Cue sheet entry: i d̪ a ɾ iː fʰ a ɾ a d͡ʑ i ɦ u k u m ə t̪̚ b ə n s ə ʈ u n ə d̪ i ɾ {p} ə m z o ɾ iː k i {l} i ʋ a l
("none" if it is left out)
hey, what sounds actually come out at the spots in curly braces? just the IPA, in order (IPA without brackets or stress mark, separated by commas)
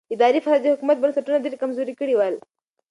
k, ɽ